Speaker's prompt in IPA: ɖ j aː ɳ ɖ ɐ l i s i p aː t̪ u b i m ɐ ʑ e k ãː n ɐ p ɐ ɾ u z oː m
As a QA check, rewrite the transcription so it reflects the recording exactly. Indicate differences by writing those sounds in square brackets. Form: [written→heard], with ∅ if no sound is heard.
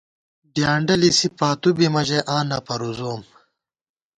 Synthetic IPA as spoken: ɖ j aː ɳ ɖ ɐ l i s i p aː t̪ u b i m ɐ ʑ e [k→ʔ] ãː n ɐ p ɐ ɾ u z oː m